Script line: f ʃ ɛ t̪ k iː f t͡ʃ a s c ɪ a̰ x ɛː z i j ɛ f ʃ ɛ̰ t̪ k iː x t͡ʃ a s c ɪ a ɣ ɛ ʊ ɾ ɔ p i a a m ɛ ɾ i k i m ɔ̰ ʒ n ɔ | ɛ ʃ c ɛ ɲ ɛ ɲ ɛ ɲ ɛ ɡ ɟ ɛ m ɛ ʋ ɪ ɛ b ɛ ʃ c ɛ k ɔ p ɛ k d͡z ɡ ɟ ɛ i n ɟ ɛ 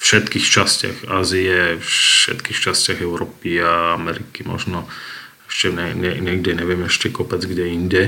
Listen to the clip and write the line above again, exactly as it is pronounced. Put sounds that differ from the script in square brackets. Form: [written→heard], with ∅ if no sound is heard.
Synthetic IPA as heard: f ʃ ɛ t̪ k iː [f→x] t͡ʃ a s c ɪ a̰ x [ɛː→aː] z i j ɛ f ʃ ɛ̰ t̪ k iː x t͡ʃ a s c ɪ a ɣ ɛ ʊ ɾ ɔ p i a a m ɛ ɾ i k i m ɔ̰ ʒ n ɔ | ɛ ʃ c ɛ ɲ ɛ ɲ ɛ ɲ ɛ ɡ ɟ ɛ [m→ɲ] ɛ ʋ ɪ ɛ [b→m] ɛ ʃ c ɛ k ɔ p ɛ [k→∅] d͡z ɡ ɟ ɛ i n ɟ ɛ